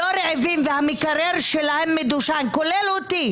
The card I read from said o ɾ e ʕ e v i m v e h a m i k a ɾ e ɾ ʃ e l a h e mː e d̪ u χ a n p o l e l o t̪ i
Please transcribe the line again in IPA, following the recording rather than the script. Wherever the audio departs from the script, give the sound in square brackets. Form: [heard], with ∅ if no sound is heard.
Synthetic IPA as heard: o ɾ e ʕ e v i m v e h a m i k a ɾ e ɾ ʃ e l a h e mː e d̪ u [ʃ] a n [k] o l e l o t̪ i